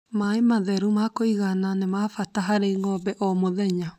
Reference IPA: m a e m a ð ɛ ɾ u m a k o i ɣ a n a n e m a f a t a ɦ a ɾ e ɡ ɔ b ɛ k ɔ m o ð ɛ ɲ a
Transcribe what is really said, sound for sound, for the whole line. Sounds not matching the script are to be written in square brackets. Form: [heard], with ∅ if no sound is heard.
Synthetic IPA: m a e m a ð ɛ ɾ u m a k o i ɣ a n a n e m a f a t a ɦ a ɾ e [ŋ] ɔ b ɛ [ʔ] ɔ m o ð ɛ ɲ a